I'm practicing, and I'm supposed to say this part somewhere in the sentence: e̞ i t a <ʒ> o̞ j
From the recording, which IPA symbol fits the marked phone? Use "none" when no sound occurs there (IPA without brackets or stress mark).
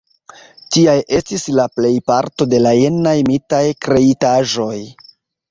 ʒ